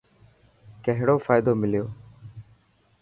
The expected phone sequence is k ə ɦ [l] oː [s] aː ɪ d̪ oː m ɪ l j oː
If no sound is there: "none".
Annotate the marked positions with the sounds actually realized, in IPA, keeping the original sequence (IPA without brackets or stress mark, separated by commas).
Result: ɽ, f